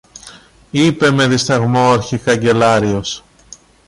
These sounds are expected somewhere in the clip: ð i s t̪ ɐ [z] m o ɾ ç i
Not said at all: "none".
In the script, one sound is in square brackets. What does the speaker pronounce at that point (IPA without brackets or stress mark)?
ɣ